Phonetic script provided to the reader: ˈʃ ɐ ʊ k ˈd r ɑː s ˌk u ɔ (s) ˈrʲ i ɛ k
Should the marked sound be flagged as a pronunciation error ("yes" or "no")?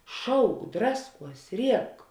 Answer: no